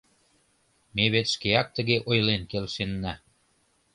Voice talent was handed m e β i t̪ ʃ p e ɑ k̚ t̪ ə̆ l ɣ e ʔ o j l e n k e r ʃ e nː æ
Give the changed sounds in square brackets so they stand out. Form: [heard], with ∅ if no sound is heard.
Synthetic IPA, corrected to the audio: m e β [e] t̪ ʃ [k] e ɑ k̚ t̪ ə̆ [∅] ɣ e ʔ o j l e n k e [l] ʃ e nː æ